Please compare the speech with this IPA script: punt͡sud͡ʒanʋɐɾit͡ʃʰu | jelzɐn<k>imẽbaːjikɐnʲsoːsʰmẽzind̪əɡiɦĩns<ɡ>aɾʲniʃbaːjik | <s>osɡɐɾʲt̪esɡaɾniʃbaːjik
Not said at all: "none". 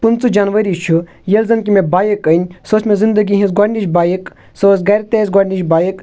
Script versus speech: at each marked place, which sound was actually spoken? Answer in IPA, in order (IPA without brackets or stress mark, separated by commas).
k, ɡ, s